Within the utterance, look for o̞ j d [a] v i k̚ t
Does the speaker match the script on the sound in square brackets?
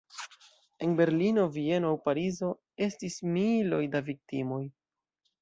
yes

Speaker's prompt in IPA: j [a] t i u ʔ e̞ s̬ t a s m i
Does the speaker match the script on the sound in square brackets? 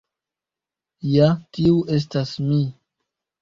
yes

